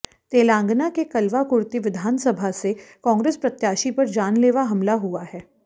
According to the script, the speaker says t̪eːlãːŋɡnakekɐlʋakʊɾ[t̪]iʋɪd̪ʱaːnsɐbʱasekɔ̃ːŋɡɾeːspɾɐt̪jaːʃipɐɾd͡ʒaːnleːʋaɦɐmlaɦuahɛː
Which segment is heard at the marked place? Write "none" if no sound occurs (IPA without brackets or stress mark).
t̪